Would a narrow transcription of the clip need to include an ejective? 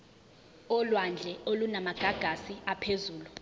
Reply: no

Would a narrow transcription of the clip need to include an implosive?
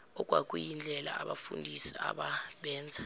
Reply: yes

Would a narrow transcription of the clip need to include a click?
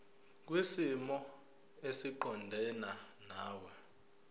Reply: yes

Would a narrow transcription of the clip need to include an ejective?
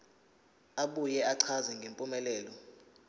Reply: yes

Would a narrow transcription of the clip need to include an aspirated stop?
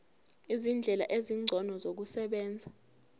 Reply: no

